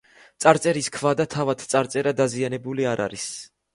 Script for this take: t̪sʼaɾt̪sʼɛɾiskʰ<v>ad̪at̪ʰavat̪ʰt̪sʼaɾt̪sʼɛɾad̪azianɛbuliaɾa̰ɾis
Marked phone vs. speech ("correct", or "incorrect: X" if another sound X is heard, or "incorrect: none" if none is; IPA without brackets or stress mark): correct